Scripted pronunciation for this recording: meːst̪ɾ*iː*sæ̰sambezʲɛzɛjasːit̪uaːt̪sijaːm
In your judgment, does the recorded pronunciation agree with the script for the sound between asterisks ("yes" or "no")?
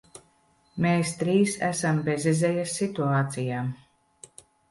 yes